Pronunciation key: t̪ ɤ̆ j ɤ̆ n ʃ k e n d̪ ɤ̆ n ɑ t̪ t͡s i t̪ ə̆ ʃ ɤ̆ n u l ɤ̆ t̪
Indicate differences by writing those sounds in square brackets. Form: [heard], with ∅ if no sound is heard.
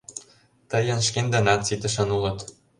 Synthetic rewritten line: t̪ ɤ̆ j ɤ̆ n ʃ k e n d̪ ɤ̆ n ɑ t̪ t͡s i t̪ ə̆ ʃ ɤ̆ n u l ɤ̆ t̪